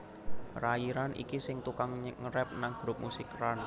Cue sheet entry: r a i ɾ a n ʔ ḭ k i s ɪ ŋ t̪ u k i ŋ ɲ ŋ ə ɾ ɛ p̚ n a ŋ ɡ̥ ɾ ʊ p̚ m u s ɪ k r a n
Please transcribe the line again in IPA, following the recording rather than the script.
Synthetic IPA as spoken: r a i ɾ a n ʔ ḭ k i s ɪ ŋ t̪ u k a ŋ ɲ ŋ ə ɾ ɛ p̚ n a ŋ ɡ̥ ɾ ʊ p̚ m u s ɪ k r a n